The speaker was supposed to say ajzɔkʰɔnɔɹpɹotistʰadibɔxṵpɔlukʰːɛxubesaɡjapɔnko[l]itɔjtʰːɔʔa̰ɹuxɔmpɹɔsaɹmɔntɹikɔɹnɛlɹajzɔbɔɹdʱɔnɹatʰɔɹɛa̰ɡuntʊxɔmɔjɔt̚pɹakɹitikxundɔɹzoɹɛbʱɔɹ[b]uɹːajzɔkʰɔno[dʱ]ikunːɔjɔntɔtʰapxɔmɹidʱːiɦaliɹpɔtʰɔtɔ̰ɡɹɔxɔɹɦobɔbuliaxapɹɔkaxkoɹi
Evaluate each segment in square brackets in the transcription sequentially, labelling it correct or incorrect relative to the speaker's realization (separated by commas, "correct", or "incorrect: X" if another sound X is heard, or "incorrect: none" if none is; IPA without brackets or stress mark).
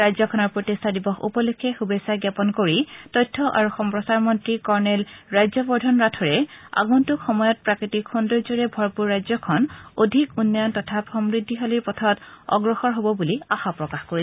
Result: incorrect: ɹ, incorrect: p, correct